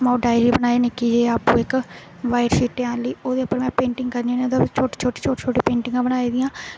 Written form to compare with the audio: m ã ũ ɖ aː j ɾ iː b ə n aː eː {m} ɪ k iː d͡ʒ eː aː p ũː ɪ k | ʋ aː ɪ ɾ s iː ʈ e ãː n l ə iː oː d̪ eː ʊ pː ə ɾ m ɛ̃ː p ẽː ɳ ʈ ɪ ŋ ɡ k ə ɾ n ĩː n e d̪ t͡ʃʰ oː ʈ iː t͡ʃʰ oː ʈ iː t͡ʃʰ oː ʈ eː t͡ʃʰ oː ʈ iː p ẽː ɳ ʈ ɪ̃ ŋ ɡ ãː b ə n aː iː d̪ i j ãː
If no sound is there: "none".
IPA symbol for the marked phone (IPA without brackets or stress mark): n